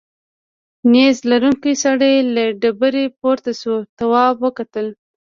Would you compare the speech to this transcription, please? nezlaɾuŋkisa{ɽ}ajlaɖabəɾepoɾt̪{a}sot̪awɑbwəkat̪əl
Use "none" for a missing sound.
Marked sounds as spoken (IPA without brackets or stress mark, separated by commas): ɽ, a